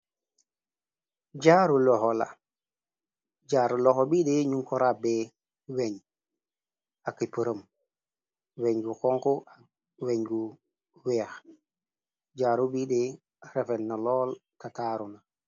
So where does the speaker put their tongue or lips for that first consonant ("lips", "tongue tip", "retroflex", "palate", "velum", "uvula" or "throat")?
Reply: palate